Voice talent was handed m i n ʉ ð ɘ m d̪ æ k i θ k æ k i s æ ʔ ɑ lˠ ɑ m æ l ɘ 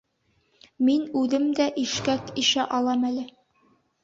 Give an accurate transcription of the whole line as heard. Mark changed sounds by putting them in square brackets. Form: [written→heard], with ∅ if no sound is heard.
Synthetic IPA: m i n ʉ ð ɘ m d̪ æ [k→ʔ] i [θ→ʃ] k æ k i [s→ʃ] æ ʔ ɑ lˠ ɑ m æ l ɘ

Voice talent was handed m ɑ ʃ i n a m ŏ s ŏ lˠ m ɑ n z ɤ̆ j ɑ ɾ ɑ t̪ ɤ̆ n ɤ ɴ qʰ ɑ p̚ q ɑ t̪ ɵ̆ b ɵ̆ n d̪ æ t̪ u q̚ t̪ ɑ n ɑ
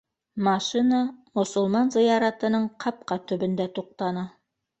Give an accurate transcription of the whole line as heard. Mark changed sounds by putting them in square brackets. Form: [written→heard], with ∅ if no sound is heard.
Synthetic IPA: m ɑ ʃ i n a m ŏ s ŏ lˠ m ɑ n z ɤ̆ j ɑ ɾ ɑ t̪ ɤ̆ n ɤ ɴ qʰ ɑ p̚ q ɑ t̪ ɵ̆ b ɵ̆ n d̪ æ t̪ u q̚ t̪ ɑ n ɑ

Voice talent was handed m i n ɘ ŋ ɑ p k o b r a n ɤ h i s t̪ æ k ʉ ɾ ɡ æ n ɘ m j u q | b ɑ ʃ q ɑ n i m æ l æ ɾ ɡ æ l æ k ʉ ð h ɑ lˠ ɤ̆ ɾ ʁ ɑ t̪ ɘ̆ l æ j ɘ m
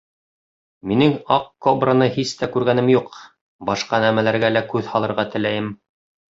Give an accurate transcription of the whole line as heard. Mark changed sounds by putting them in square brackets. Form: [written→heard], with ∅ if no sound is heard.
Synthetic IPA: m i n ɘ ŋ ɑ [p→q] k o b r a n ɤ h i s t̪ æ k ʉ ɾ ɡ æ n ɘ m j u q | b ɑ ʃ q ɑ n [i→æ] m æ l æ ɾ ɡ æ l æ k ʉ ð h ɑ lˠ ɤ̆ ɾ ʁ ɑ t̪ ɘ̆ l æ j ɘ m

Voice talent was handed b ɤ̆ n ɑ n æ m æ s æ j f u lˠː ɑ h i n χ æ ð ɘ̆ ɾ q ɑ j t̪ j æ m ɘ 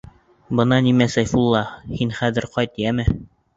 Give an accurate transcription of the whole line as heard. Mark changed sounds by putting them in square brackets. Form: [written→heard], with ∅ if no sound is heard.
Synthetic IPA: b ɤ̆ n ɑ n [æ→i] m æ s æ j f u lˠː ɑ h i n χ æ ð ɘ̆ ɾ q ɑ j t̪ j æ m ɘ

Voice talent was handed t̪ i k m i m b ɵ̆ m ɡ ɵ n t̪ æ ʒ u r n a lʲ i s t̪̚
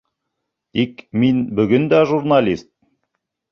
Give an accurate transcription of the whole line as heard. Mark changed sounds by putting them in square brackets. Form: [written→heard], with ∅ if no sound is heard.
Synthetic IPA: t̪ i k m i [m→n] b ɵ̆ [m→∅] ɡ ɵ n [t̪→d̪] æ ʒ u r n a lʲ i s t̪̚

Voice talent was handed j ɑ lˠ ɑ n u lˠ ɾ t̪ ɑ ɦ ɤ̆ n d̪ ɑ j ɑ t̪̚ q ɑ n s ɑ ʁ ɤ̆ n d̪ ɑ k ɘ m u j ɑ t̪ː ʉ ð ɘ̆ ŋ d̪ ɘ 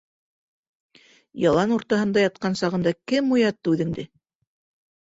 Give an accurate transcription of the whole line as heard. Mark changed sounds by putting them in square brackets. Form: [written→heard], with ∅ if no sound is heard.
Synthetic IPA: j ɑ lˠ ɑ n u [lˠ→∅] ɾ t̪ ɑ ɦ ɤ̆ n d̪ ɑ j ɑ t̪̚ q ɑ n s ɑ ʁ ɤ̆ n d̪ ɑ k ɘ m u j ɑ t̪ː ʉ ð ɘ̆ ŋ d̪ ɘ

